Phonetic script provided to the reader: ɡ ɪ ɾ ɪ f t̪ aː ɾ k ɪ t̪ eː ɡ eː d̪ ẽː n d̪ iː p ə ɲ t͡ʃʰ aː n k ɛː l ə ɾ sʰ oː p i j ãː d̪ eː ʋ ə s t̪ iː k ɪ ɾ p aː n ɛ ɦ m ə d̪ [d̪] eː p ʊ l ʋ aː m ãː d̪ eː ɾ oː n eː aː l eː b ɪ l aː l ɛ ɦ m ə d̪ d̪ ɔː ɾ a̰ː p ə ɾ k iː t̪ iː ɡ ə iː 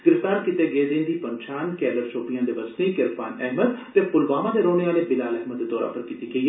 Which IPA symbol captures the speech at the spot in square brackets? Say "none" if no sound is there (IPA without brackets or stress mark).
t̪